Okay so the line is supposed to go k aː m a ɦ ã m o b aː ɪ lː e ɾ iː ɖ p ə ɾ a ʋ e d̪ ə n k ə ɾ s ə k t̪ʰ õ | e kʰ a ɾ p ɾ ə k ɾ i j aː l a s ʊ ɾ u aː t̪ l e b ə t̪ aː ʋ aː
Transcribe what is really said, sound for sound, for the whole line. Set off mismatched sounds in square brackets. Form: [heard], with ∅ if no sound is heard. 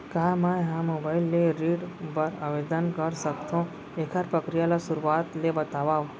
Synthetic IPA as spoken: k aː m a ɦ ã m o b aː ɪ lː e ɾ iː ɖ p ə ɾ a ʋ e d̪ ə n k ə ɾ s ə k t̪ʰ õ | e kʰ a ɾ p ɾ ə k ɾ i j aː l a s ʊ ɾ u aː t̪ l e b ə t̪ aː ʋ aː

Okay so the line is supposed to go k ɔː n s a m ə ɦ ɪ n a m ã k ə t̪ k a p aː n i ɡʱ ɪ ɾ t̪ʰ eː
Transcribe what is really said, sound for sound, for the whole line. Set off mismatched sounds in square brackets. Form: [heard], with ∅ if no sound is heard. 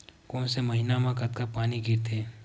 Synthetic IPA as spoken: k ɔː n s [e] m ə ɦ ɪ n a m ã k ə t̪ k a p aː n i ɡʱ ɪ ɾ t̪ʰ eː

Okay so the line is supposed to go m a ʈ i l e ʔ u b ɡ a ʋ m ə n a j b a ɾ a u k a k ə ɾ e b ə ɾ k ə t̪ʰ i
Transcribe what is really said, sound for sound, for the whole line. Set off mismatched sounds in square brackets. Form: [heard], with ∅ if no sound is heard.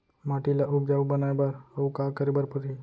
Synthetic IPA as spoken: m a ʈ i l [a] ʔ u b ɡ a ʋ [b] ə n a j b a ɾ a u k a k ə ɾ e b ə ɾ [p] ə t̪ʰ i

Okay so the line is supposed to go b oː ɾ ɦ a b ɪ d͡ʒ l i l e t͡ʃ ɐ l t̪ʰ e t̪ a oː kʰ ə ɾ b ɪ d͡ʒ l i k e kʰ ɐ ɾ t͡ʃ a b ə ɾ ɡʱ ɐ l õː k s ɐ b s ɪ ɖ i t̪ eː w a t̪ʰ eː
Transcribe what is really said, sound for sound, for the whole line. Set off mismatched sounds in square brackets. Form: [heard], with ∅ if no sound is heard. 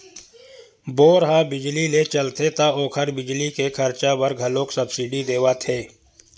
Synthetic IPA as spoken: b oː ɾ ɦ a b ɪ d͡ʒ l i l e t͡ʃ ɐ l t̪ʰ e t̪ a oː kʰ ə ɾ b ɪ d͡ʒ l i k e kʰ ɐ ɾ t͡ʃ a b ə ɾ ɡʱ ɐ l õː k s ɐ b s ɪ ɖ i [d̪] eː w a t̪ʰ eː

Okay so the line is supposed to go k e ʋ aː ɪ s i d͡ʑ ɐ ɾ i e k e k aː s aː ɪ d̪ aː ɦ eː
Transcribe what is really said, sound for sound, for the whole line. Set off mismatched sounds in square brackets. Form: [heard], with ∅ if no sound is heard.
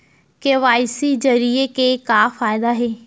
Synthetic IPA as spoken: k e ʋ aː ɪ s i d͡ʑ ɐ ɾ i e k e k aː [f] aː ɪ d̪ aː ɦ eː

